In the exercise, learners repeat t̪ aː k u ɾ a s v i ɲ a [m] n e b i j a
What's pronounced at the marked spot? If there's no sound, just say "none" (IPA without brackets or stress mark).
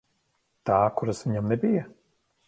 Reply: m